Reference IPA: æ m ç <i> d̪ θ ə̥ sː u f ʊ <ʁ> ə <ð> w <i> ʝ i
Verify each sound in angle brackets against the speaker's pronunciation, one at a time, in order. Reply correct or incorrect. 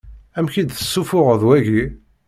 correct, correct, correct, incorrect: æ

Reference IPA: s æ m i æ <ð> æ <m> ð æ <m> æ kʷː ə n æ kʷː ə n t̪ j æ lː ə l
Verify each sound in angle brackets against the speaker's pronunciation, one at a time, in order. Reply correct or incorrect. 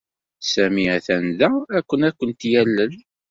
incorrect: θ, incorrect: n, incorrect: none

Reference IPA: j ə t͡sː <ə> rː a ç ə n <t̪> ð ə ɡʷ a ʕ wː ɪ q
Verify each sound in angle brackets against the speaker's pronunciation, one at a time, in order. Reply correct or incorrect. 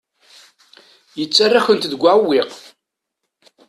incorrect: a, correct

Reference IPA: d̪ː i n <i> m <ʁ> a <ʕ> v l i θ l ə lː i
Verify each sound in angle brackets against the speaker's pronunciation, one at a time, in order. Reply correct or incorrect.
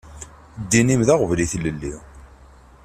correct, incorrect: ð, incorrect: ʁ

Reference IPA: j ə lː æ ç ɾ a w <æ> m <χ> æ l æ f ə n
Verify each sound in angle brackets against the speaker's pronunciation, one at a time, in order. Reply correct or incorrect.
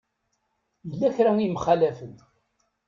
incorrect: i, correct

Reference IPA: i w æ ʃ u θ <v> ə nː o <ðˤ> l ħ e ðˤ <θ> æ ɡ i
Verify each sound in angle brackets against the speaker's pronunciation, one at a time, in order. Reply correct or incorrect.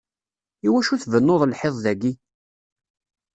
correct, correct, incorrect: ð

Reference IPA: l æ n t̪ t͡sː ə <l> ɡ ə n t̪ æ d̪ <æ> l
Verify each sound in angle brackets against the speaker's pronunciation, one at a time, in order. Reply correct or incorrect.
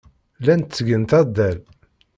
incorrect: none, correct

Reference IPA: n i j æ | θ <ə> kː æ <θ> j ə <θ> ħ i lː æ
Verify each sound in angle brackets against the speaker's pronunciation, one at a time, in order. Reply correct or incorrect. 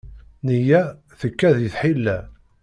correct, incorrect: ð, correct

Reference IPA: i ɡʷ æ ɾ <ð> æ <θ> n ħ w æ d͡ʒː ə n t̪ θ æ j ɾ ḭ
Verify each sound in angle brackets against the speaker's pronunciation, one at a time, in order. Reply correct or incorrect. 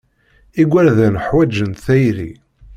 correct, incorrect: none

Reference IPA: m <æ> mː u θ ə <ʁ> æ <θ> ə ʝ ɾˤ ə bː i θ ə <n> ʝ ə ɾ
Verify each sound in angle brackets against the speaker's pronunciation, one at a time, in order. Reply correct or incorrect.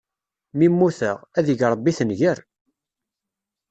incorrect: i, correct, incorrect: ð, correct

